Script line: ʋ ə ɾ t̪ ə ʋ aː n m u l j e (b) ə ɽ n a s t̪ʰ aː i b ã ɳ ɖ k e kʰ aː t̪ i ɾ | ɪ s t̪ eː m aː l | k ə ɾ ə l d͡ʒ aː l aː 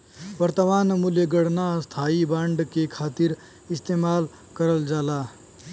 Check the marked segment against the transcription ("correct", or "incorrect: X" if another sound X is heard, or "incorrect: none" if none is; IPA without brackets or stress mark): incorrect: ɡ